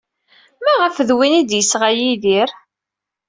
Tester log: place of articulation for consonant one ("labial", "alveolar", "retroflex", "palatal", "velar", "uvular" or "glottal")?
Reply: labial